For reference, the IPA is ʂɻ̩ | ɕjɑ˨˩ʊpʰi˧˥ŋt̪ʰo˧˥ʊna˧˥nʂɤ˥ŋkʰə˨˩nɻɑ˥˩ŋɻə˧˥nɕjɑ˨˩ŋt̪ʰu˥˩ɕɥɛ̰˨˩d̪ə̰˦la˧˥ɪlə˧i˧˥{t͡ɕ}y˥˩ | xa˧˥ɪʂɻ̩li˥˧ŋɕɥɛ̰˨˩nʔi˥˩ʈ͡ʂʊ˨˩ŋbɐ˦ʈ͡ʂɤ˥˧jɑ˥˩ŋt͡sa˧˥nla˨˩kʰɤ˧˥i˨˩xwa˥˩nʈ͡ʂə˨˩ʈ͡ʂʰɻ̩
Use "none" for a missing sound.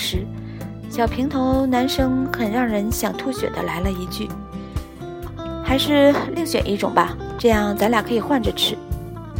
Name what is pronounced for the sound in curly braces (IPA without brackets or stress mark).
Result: t͡ɕ